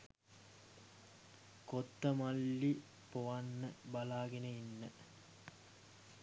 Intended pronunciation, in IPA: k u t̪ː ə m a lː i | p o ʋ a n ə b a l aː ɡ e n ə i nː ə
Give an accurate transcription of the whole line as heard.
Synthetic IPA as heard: k o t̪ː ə m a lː i | p o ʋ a nː ə b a l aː ɡ e n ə i nː ə